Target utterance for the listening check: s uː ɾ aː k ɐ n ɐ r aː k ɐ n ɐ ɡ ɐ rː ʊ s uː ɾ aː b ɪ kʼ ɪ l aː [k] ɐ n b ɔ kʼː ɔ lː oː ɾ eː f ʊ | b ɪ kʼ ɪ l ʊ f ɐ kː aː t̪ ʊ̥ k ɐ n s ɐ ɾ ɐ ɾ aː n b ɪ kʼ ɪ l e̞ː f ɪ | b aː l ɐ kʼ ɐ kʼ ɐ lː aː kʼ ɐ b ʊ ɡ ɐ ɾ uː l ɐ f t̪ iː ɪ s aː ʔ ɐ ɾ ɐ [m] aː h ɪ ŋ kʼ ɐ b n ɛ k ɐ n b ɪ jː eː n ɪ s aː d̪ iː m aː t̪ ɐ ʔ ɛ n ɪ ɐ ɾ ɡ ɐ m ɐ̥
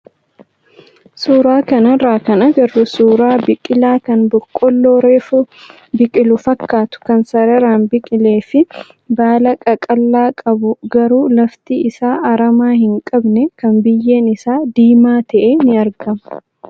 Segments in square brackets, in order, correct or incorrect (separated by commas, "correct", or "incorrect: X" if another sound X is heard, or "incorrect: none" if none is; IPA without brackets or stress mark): correct, correct